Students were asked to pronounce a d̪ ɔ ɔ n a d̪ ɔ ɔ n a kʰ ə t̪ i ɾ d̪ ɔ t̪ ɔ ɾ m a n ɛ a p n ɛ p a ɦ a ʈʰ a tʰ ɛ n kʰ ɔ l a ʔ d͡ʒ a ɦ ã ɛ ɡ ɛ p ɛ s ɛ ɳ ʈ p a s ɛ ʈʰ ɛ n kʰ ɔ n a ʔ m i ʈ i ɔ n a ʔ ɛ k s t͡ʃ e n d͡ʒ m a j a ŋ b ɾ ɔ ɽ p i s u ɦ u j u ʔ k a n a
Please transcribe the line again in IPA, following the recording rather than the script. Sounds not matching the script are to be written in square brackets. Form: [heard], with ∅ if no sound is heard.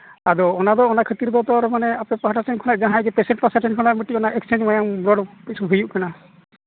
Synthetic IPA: a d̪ ɔ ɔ n a d̪ ɔ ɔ n a kʰ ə t̪ i ɾ d̪ ɔ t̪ ɔ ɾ m a n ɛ a p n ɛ p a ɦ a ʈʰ a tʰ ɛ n kʰ ɔ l a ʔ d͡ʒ a ɦ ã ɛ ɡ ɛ p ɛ s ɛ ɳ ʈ p a s [a] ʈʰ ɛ n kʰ ɔ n a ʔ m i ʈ i ɔ n a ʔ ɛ k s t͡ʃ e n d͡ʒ m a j a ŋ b ɾ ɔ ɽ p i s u ɦ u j u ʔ k a n a